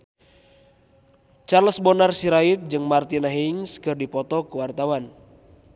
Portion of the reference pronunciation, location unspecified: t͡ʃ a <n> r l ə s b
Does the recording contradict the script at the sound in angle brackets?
yes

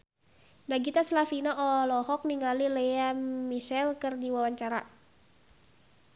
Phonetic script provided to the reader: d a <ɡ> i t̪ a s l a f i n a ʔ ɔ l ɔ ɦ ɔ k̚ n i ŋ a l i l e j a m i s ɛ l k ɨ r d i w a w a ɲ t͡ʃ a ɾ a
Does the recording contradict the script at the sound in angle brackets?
no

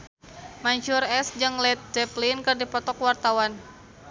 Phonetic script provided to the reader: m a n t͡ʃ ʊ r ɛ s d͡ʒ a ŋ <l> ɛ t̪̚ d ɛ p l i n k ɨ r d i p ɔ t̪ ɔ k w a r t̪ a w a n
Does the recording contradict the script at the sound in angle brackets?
no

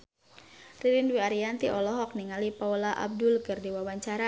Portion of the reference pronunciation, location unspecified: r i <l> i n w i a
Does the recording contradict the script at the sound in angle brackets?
yes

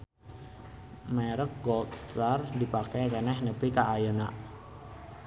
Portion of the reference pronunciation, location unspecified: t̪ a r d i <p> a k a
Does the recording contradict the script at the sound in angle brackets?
no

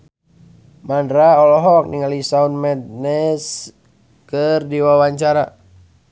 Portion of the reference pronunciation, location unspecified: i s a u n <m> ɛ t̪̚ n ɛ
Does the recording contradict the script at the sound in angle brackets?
no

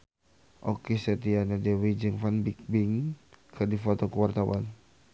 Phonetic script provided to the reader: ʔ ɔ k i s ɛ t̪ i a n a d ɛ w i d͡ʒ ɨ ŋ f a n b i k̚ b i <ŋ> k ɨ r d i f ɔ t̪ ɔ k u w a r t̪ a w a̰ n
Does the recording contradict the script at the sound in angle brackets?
no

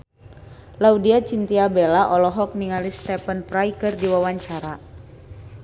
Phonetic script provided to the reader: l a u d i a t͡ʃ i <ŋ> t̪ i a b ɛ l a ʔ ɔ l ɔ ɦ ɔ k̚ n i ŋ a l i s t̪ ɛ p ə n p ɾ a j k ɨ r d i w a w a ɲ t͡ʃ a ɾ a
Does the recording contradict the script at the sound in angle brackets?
yes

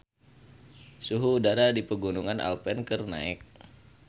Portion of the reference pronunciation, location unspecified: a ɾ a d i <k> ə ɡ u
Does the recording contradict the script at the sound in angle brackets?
yes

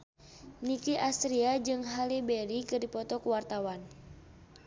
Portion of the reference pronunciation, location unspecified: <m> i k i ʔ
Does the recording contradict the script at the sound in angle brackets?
yes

